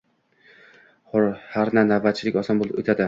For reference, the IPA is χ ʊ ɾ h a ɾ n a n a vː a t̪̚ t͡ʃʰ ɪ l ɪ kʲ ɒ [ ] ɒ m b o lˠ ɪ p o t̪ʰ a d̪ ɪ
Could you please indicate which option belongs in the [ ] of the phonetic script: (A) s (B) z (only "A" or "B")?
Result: A